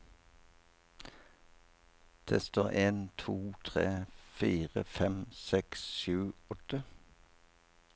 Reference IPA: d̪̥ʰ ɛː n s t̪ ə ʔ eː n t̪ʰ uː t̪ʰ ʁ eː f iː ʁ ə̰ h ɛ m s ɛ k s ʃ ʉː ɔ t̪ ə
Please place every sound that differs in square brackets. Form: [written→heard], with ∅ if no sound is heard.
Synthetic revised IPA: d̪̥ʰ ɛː [n→∅] s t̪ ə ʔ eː n t̪ʰ uː t̪ʰ ʁ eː f iː ʁ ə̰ [h→f] ɛ m s ɛ k s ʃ ʉː ɔ t̪ ə